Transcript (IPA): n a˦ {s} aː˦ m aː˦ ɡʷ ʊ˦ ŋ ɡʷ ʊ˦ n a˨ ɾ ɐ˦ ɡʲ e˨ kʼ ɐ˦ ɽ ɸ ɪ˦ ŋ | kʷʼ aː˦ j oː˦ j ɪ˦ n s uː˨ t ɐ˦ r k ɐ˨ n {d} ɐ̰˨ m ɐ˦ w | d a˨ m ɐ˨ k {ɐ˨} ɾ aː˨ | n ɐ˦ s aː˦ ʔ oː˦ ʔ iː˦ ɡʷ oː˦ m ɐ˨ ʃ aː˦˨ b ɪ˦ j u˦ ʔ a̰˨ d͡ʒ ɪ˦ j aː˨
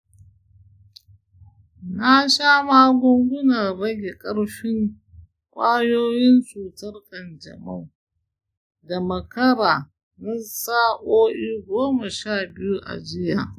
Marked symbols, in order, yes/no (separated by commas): no, no, no